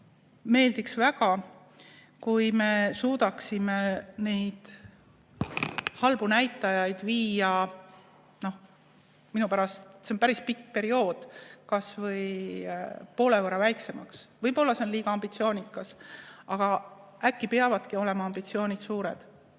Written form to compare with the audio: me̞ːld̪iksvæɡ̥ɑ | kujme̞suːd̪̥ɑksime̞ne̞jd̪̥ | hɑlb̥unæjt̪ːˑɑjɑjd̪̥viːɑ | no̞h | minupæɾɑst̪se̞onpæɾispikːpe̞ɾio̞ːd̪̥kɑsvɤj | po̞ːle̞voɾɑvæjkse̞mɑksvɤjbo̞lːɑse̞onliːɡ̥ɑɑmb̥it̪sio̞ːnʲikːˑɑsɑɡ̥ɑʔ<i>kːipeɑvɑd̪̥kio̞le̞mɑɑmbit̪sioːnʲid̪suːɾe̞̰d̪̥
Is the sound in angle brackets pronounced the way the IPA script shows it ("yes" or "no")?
no